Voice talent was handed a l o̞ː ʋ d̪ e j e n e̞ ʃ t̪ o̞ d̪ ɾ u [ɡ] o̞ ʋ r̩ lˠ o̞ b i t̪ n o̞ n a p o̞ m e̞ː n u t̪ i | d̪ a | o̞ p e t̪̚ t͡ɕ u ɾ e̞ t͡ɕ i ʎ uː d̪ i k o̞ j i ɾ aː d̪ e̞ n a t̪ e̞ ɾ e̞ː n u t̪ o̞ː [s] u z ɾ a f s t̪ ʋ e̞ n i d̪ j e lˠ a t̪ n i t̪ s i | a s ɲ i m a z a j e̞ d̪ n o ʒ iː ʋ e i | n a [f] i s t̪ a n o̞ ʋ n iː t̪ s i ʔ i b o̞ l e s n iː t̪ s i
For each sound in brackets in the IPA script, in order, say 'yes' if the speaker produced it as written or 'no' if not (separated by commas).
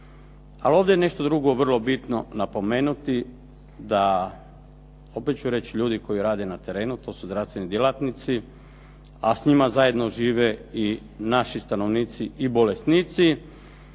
yes, yes, no